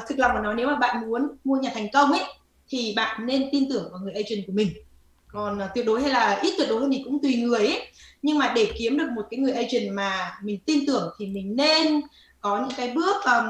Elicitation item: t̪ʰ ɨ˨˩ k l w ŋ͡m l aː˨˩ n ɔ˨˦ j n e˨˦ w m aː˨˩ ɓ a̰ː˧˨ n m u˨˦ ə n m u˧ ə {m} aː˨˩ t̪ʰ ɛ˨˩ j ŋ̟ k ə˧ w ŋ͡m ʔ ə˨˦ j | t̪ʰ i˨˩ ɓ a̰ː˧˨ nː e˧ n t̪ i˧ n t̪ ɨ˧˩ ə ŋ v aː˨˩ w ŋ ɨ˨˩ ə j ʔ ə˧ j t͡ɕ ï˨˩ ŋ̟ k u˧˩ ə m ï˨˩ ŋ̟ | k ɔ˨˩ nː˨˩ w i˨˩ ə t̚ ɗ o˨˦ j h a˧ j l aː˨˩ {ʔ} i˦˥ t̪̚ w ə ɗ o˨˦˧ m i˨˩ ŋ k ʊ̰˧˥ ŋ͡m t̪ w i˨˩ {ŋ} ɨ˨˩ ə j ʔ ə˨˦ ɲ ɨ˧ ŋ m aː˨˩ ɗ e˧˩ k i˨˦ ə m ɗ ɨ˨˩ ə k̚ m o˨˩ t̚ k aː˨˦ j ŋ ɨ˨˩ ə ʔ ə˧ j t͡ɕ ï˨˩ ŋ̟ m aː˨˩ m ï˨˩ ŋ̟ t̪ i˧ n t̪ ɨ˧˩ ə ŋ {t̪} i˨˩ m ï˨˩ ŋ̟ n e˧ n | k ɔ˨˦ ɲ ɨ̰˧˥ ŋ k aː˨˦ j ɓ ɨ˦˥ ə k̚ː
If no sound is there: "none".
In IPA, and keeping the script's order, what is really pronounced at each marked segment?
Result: ɲ, ʔ, ŋ, t̪ʰ

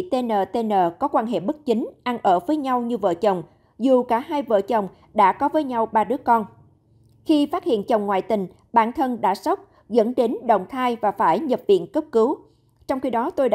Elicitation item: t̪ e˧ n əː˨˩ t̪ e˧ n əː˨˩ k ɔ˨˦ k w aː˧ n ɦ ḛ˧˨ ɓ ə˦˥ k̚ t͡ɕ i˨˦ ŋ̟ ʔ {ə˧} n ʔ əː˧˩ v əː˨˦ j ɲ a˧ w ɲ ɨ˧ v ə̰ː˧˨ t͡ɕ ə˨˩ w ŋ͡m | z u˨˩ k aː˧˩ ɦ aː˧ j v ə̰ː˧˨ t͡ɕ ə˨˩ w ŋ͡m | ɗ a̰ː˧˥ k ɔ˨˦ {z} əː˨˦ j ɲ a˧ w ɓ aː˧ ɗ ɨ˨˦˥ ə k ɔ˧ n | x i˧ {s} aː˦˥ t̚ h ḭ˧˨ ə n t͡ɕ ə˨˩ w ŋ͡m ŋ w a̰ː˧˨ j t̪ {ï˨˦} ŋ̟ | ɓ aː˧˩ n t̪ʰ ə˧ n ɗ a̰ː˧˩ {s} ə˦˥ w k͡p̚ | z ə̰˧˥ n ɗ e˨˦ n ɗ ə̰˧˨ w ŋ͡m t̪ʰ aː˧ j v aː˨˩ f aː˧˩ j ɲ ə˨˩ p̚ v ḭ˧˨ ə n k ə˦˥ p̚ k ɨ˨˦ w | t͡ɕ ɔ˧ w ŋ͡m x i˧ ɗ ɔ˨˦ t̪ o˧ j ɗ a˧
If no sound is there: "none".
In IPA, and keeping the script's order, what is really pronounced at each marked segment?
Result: a˧, v, f, ï˨˩, s

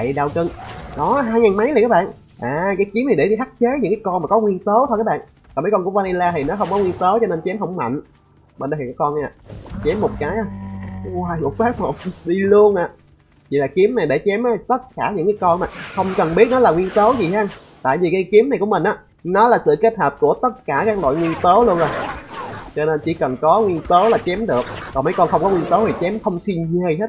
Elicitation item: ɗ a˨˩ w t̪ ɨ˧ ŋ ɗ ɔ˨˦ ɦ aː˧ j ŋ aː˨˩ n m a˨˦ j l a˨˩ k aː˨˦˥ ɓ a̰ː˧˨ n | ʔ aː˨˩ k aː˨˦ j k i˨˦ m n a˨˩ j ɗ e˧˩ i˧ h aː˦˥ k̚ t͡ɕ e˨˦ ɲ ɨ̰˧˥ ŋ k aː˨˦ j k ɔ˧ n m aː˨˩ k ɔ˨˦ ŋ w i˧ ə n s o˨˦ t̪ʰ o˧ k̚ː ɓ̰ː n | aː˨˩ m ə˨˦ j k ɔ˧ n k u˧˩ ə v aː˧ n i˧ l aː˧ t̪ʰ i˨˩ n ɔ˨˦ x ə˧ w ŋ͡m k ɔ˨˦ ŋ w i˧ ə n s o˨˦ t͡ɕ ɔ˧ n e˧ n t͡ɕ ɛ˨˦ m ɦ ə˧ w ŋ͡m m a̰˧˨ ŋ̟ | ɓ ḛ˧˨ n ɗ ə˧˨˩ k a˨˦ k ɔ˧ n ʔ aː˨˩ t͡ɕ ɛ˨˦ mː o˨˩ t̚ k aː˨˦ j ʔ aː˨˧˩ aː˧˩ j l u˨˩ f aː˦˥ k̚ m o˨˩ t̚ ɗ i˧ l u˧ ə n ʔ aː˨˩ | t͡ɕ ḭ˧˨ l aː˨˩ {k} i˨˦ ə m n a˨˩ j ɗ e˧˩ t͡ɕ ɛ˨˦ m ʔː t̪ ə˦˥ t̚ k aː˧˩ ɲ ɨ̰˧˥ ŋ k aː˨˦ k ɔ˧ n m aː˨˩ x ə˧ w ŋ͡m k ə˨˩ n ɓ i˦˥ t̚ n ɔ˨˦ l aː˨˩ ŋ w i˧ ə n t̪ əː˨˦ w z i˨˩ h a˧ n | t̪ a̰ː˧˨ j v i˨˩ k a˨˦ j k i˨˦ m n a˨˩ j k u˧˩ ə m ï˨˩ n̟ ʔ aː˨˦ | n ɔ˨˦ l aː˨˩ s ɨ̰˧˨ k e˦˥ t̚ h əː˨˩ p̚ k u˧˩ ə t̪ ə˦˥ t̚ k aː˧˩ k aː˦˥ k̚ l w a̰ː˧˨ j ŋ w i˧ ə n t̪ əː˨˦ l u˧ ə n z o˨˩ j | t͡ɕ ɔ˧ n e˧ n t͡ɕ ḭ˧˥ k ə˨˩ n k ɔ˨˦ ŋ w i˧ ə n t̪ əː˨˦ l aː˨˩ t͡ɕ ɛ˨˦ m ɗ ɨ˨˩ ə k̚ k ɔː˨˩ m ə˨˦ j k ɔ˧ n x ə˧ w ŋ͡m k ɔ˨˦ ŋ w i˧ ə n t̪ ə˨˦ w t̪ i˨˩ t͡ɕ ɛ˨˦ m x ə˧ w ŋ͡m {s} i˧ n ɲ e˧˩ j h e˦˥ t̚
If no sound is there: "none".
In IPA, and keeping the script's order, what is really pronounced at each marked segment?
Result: k, s

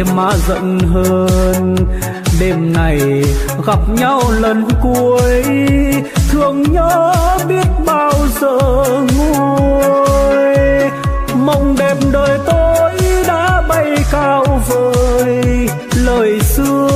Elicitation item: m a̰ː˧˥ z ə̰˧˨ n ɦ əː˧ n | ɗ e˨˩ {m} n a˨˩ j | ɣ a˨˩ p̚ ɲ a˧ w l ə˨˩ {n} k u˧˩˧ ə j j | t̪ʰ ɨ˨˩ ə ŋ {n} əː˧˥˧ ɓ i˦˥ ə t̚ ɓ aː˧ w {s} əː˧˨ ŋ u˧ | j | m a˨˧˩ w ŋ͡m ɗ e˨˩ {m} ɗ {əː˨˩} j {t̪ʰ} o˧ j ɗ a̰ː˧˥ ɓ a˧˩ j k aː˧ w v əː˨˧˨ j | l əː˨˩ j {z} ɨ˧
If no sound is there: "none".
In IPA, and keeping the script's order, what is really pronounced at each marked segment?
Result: m, n, ɲ, z, m, əː˨˩, t̪, s

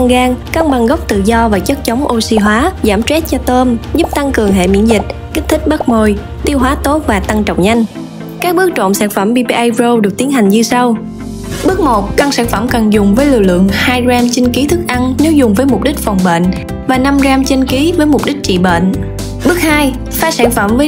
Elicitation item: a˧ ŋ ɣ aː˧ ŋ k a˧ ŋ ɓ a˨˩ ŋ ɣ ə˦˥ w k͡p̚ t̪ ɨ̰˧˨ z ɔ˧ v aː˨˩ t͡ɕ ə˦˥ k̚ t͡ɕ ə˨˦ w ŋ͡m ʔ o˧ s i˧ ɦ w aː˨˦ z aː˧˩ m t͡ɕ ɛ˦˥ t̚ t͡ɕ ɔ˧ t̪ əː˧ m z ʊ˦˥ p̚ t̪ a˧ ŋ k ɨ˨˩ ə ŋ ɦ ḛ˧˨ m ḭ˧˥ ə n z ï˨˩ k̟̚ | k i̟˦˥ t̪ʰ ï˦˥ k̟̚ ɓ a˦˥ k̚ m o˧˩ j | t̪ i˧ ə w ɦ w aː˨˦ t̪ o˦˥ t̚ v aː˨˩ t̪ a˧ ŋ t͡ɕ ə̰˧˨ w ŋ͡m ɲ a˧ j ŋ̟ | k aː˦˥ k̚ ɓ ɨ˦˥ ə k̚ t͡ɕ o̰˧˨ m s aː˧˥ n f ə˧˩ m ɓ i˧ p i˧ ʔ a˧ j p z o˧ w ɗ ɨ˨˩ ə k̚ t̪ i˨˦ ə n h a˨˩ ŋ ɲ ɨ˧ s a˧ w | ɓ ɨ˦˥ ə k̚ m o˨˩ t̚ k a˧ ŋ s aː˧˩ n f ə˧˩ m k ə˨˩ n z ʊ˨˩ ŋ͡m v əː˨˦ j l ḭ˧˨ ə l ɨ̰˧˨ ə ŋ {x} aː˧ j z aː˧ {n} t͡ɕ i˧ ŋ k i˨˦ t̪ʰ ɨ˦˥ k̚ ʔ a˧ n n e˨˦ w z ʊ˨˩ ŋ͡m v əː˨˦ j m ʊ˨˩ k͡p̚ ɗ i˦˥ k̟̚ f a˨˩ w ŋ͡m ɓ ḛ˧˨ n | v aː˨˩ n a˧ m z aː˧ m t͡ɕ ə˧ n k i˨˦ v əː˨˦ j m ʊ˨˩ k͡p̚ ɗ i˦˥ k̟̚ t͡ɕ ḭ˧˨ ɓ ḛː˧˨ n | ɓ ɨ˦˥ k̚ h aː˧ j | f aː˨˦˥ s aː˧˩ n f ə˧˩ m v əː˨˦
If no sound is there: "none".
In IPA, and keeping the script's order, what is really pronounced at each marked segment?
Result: h, m

